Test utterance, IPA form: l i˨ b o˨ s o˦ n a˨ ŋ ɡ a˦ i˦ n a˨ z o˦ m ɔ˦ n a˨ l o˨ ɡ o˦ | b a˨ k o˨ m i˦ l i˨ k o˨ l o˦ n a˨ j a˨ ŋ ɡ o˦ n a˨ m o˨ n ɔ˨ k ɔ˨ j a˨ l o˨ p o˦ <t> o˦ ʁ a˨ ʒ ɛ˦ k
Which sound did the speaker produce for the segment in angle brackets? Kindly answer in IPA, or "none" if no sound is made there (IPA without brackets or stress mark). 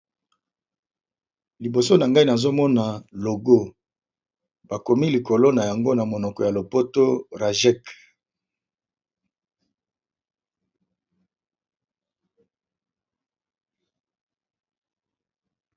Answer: t